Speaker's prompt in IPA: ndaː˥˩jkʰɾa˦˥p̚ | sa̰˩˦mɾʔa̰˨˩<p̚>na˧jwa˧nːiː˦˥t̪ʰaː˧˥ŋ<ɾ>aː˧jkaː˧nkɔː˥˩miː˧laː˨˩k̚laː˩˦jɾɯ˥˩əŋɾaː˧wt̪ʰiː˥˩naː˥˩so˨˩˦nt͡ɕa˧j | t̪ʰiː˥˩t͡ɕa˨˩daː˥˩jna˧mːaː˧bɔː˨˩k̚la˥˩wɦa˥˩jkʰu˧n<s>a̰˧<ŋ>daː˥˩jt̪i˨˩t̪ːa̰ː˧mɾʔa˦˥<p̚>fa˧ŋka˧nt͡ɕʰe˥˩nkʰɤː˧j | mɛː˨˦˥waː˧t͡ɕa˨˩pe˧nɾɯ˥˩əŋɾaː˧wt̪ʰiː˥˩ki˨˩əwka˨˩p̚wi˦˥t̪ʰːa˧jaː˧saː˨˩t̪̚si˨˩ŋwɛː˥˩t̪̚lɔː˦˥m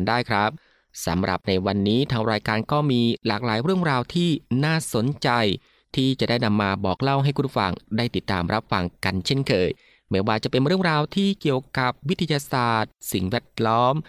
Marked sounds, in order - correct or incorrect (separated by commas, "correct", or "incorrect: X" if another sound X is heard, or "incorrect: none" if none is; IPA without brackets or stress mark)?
correct, correct, incorrect: f, correct, correct